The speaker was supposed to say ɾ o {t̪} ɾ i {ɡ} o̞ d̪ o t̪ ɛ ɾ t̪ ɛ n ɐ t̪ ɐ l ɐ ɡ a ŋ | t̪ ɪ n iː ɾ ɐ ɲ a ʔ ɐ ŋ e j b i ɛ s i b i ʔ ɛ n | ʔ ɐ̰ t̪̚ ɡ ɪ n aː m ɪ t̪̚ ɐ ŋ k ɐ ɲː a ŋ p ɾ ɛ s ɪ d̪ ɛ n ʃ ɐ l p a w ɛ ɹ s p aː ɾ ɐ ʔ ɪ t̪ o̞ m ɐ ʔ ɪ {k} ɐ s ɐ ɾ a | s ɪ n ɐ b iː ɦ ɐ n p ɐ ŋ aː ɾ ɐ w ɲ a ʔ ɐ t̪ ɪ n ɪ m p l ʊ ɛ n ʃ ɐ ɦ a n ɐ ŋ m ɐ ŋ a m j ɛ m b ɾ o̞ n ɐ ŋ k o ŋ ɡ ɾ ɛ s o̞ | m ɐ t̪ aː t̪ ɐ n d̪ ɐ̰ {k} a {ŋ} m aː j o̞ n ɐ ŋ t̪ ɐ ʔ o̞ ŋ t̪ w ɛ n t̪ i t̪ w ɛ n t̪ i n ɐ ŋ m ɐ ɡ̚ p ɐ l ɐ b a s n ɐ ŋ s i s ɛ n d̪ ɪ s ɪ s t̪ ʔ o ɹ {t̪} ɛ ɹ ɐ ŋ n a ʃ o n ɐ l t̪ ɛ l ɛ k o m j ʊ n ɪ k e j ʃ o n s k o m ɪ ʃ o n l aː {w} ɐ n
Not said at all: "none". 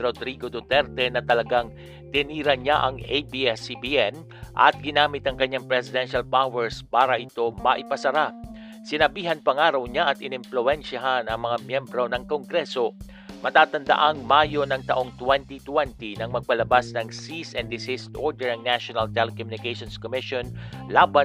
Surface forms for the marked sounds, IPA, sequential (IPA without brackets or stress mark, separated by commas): d̪, ɡ, p, ʔ, ŋ, d̪, b